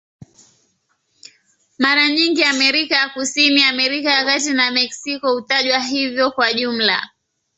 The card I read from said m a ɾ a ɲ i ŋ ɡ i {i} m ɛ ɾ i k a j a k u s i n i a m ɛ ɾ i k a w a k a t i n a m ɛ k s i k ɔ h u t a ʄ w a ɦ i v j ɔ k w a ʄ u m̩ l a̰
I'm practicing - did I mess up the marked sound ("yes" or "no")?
yes